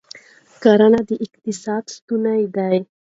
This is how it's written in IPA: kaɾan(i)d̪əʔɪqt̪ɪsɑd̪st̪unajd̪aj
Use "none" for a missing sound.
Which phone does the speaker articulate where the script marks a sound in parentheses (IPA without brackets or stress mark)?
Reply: a